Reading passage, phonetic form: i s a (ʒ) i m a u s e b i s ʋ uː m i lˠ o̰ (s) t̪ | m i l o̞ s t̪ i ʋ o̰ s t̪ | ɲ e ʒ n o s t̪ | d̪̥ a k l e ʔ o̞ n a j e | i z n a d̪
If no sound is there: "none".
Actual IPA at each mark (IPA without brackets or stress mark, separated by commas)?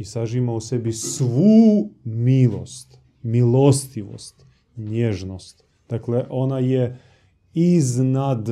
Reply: ʒ, s